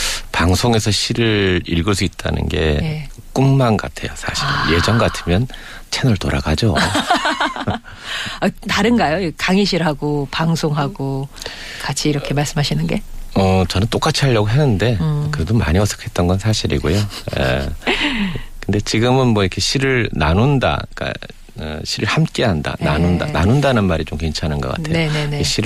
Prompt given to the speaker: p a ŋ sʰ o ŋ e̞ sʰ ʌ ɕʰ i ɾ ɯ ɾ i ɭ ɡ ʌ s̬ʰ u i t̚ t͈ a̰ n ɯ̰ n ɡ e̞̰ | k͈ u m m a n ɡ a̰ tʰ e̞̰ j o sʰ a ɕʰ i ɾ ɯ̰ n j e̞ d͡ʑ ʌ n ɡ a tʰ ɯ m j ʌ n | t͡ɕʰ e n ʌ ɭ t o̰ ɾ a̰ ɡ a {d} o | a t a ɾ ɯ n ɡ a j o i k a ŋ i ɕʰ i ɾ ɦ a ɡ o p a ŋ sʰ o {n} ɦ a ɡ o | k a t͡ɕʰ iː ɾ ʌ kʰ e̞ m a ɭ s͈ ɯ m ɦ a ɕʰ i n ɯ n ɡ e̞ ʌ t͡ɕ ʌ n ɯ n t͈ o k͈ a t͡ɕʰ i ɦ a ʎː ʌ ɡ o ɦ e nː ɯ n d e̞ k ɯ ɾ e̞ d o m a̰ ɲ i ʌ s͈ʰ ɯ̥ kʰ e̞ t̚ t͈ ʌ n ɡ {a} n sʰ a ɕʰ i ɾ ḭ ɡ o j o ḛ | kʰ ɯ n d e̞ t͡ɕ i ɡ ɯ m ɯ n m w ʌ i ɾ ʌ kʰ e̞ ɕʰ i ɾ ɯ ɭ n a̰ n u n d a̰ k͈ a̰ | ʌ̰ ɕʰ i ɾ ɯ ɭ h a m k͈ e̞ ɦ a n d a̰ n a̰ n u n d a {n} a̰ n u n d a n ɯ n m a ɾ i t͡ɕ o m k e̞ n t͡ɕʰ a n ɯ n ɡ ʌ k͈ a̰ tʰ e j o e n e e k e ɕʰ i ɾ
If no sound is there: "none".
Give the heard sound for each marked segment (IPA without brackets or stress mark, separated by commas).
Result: d͡ʑ, ŋ, ʌ, n